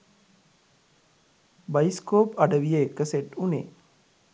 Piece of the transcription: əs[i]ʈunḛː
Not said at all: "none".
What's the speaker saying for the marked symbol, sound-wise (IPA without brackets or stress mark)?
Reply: e